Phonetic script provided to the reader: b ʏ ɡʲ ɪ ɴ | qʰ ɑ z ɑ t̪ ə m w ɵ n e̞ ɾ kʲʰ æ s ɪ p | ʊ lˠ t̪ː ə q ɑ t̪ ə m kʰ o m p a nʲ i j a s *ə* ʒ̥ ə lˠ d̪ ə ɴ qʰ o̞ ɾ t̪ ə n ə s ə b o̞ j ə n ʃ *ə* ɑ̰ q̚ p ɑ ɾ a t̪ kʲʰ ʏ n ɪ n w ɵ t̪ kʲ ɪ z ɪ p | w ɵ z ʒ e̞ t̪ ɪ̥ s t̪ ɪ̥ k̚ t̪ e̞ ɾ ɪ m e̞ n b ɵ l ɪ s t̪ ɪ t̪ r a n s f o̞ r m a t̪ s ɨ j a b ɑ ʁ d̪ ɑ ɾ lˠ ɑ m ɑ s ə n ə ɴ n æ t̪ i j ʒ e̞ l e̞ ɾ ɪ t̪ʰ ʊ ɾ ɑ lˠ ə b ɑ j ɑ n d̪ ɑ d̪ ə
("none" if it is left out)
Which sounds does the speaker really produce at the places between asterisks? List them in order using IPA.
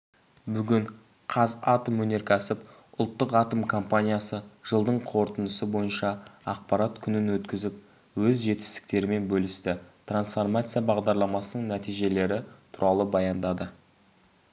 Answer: ə, ɑ

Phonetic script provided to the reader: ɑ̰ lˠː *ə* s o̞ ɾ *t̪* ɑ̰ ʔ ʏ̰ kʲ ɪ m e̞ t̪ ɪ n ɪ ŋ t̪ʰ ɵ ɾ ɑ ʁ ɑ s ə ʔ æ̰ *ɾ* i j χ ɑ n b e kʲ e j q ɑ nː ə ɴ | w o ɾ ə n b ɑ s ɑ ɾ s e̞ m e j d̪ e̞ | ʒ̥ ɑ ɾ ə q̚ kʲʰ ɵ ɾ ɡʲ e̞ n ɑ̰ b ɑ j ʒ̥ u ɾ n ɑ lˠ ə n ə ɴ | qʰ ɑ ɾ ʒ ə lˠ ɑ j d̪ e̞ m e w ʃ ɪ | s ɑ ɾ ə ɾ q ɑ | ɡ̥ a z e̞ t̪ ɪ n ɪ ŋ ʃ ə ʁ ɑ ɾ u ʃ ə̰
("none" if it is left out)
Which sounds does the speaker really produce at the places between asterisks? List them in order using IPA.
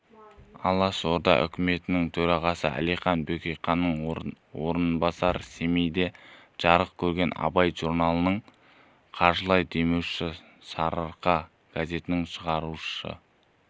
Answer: ɑ, d̪, l

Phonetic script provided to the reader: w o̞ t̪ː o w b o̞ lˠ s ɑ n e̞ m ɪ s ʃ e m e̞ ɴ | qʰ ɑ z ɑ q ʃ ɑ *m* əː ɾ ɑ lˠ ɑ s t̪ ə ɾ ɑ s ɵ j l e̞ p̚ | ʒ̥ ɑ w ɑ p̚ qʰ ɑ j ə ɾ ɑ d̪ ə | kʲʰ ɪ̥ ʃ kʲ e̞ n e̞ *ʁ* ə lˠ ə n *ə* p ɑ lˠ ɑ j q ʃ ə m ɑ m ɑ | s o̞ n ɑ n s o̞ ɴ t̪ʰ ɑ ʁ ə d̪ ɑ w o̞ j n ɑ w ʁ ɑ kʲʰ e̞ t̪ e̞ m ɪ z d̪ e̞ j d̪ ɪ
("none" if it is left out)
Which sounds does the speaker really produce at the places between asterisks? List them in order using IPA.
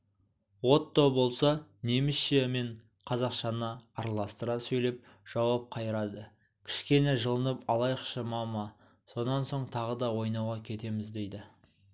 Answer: n, ʒ, ə

